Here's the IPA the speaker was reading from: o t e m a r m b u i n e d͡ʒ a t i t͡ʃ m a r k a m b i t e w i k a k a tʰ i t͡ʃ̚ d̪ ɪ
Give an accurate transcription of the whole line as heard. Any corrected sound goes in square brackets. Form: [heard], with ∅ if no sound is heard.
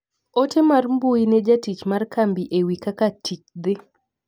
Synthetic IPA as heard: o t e m a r m b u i n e d͡ʒ a t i t͡ʃ m a r k a m b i [ʔ] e w i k a k a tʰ i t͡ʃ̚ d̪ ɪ